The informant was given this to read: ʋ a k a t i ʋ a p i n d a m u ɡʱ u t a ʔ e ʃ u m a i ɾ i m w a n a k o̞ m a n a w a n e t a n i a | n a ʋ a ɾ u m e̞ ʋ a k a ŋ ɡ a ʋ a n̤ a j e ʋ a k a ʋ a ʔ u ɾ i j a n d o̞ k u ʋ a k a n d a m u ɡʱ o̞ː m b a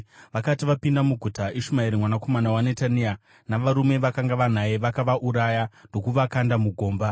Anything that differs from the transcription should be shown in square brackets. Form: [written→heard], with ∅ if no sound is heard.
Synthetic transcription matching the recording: ʋ a k a t i ʋ a p i n d a m u ɡʱ u t a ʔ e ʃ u m a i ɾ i m w a n a k o̞ m a n a w a n e t a n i a | n a ʋ a ɾ u m e̞ ʋ a k a ŋ ɡ a ʋ a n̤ a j e ʋ a k a ʋ a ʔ u ɾ [i→a] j a n d o̞ k u ʋ a k a n d a m u ɡʱ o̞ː m b a